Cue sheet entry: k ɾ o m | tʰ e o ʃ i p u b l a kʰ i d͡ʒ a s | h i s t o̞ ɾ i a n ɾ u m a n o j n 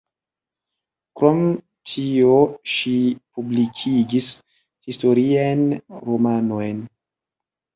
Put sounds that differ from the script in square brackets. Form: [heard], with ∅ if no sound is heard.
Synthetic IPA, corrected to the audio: k ɾ o m | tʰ [i] o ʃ i p u b l [i] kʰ i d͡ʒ [i] s | h i s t o̞ ɾ i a n ɾ [o] m a n o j n